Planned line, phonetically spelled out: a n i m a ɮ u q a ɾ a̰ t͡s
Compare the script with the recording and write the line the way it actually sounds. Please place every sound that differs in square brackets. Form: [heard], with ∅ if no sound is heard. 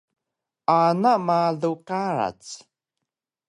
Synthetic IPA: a n [a] m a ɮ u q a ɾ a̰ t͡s